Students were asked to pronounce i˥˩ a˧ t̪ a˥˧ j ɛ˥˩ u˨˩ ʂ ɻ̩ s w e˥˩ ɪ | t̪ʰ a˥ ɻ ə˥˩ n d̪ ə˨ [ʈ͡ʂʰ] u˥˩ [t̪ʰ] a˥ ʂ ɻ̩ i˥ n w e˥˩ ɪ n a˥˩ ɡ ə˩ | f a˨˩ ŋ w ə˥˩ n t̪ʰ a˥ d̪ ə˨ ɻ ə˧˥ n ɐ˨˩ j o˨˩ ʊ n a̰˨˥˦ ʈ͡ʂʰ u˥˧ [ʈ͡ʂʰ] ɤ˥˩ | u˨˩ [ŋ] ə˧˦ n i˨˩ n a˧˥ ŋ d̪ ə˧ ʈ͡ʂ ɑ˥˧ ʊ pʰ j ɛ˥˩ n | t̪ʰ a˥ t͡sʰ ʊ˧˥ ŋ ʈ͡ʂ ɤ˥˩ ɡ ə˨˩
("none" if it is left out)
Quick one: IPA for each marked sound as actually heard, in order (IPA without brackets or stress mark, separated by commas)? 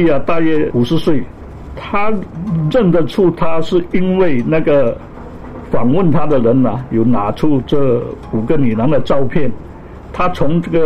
ʈ͡ʂʰ, t̪ʰ, ʈ͡ʂ, ɡ